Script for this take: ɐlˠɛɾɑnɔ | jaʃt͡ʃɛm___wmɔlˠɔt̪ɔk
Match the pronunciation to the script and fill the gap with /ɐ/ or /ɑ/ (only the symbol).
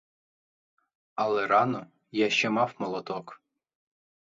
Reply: ɑ